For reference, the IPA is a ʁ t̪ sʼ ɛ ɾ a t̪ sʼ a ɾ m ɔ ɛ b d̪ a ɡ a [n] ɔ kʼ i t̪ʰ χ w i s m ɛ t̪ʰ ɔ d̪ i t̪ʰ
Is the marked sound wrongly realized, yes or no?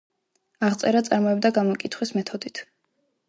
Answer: yes